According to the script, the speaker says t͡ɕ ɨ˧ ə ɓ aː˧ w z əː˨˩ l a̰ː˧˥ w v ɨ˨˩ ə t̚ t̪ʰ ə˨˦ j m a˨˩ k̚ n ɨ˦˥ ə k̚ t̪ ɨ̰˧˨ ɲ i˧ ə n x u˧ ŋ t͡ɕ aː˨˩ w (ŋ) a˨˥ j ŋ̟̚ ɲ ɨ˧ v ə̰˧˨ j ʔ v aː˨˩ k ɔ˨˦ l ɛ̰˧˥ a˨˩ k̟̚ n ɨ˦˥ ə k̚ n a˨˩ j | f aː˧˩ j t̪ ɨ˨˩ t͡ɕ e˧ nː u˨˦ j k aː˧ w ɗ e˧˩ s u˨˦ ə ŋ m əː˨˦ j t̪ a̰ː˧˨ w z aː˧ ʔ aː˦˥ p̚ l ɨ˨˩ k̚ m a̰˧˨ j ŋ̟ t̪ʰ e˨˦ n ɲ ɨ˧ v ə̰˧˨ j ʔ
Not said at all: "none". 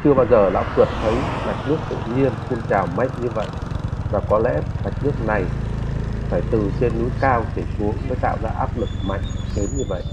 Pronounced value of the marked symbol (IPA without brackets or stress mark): m